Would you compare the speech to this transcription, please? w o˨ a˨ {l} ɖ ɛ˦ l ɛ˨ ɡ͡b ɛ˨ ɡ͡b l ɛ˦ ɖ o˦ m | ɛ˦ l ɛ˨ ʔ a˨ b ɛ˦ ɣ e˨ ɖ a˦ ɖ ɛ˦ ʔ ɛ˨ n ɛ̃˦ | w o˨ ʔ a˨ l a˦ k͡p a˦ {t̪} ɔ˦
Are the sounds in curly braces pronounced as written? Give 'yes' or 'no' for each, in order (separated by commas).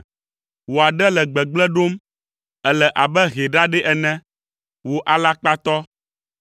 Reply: no, yes